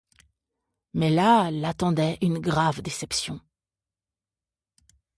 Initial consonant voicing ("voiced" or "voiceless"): voiced